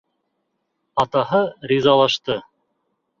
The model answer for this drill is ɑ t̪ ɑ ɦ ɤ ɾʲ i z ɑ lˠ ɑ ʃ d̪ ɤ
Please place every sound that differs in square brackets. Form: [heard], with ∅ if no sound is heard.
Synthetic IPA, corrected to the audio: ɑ t̪ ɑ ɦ ɤ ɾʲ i z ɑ lˠ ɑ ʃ [t̪] ɤ